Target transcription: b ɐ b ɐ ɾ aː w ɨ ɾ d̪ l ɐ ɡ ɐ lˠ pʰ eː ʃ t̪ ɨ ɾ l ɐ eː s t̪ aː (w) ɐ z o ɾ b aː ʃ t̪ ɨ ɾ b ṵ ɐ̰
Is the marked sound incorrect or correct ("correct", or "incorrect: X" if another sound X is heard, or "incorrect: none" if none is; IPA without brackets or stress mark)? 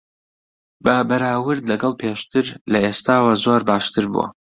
correct